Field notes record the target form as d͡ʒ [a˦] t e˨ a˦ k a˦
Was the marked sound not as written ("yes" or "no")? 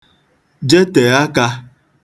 yes